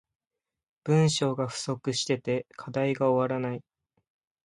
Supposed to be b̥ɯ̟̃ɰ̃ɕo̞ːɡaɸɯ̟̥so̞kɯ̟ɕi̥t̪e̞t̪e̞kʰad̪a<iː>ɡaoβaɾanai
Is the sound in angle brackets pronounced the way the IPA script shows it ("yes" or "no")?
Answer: no